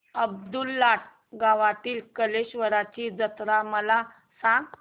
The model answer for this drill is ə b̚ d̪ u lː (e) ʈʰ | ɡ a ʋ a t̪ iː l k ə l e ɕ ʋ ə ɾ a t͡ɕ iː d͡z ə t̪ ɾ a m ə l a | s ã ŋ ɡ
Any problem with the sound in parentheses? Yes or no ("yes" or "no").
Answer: yes